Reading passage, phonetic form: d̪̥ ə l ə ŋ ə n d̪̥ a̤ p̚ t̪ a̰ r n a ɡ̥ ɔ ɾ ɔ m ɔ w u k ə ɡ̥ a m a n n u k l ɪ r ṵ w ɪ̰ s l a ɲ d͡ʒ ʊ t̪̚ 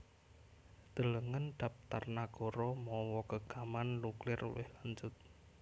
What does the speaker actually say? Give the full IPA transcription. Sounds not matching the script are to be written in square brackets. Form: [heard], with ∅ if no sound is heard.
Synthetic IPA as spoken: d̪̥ ə l ə ŋ ə n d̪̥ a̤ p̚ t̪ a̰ r n a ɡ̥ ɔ ɾ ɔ m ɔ w [ɔ] k ə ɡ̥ a m a n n u k l ɪ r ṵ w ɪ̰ [h] l a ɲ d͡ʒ ʊ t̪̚

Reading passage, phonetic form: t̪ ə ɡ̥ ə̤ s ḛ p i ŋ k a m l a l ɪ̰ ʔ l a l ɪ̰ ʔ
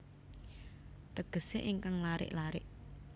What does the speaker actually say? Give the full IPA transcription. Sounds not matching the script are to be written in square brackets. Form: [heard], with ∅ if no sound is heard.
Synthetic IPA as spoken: t̪ ə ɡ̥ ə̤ s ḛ [ʔ] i ŋ k a [ŋ] l a [ɾ] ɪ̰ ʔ l a [ɾ] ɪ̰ ʔ

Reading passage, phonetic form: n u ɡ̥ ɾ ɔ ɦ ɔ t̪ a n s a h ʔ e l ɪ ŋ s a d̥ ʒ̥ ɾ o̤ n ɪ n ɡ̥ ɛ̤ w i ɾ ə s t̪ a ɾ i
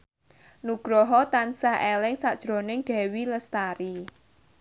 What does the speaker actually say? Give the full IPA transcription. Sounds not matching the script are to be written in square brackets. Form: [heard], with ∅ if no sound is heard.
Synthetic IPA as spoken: n u ɡ̥ ɾ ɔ ɦ ɔ t̪ a n s a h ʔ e l ɪ ŋ s a d̥ ʒ̥ ɾ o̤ n ɪ [ŋ] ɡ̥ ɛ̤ w i [l] ə s t̪ a ɾ i

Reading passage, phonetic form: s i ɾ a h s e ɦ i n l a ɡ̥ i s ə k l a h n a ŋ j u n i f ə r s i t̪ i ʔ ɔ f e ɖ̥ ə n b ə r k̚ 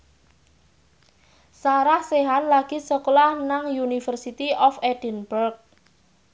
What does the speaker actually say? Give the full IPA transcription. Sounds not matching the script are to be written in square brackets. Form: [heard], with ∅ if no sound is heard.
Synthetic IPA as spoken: s [a] ɾ a h s e ɦ [a] n l a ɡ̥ i s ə k l a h n a ŋ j u n i f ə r s i t̪ i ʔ ɔ f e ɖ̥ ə n b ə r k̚

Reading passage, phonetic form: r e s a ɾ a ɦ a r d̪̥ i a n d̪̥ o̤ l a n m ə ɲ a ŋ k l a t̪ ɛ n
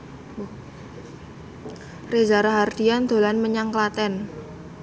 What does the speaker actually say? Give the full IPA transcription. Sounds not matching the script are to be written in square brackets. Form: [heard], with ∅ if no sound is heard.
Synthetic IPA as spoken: r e [z] a ɾ a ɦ a r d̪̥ i a n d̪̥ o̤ l a n m ə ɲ a ŋ k l a t̪ ɛ n

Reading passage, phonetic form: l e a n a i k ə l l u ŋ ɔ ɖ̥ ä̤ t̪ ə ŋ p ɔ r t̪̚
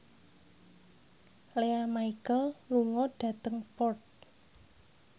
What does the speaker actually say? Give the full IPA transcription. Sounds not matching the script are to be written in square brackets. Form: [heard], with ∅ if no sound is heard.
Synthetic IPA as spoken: l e a [m] a i k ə l l u ŋ ɔ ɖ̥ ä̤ t̪ ə ŋ p ɔ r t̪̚

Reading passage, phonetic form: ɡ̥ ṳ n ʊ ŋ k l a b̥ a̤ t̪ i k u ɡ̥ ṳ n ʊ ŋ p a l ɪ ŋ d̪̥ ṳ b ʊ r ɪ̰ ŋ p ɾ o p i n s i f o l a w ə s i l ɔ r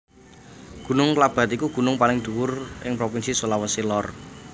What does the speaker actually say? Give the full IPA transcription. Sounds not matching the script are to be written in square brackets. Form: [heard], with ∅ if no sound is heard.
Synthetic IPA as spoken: ɡ̥ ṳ n ʊ ŋ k l a b̥ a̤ t̪ i k u ɡ̥ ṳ n ʊ ŋ p a l ɪ ŋ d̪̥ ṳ [w] ʊ r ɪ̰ ŋ p ɾ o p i n s i [s] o l a w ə s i l ɔ r

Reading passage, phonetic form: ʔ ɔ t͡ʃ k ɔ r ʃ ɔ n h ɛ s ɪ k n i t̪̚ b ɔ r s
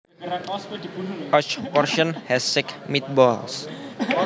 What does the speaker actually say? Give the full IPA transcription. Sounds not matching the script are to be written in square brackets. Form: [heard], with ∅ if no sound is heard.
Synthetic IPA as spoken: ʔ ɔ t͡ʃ [p] ɔ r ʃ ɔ n h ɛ s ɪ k [m] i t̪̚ b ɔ [l] s

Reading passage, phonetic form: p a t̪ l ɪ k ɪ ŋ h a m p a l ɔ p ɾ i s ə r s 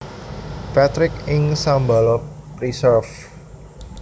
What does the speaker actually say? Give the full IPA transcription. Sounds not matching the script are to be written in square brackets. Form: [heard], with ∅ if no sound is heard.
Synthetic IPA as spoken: p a t̪ [ɾ] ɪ k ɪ ŋ [s] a m [b] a l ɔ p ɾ i s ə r [f]

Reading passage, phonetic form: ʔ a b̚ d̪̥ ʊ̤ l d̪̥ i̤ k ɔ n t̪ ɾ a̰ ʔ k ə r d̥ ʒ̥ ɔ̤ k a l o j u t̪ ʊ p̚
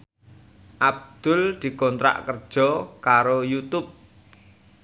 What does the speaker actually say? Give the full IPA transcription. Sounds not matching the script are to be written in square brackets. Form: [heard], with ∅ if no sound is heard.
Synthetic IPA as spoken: ʔ a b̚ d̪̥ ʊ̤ l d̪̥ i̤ k ɔ n t̪ ɾ a̰ ʔ k ə r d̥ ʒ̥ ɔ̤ k a [ɾ] o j u t̪ ʊ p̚

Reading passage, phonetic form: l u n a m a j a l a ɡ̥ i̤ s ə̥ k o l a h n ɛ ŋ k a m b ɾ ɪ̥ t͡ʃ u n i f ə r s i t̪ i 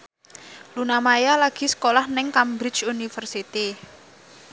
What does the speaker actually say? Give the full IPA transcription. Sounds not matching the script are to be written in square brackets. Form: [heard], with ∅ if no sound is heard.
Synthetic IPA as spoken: l u n a m a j a l a ɡ̥ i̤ s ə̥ k o l a h n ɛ ŋ k a m b ɾ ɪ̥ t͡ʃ u n i f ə r s i t̪ i

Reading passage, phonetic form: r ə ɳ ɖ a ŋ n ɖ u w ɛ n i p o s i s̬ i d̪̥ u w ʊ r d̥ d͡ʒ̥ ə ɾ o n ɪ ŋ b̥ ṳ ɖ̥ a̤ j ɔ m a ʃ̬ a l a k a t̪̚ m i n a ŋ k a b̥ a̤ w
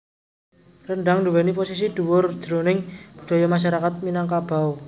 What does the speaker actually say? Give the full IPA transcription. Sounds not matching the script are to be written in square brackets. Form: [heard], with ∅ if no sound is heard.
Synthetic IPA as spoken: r ə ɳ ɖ a ŋ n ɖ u w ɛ n i p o s i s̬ i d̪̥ u w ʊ r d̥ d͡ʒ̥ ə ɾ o n ɪ ŋ b̥ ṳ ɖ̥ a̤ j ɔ m a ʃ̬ a [ɾ] a k a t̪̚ m i n a ŋ k a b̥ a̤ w

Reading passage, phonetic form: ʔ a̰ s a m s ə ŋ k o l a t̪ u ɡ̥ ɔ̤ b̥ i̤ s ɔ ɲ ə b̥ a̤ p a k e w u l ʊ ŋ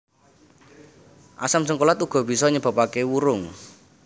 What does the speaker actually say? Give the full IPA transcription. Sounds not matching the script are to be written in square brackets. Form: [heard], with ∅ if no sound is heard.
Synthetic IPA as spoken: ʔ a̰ s a m s ə ŋ k o l a t̪ u ɡ̥ ɔ̤ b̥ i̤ s ɔ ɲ ə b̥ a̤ p a k e w u [ɾ] ʊ ŋ

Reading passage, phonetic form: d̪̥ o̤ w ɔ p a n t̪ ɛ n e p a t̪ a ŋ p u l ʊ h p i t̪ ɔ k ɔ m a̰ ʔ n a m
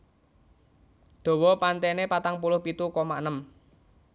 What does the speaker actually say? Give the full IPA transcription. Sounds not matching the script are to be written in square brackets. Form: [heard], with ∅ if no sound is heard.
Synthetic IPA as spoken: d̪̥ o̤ w ɔ p a n t̪ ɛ n e p a t̪ a ŋ p u l ʊ h p i t̪ [u] k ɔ m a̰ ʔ n [ə] m

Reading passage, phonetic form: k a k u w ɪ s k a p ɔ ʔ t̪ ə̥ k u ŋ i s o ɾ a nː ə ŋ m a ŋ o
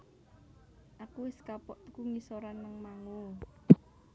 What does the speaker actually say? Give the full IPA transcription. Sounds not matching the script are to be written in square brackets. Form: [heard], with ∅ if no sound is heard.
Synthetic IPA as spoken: [ʔ] a k u w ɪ s k a p ɔ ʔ t̪ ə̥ k u ŋ i s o ɾ a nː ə ŋ m a ŋ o

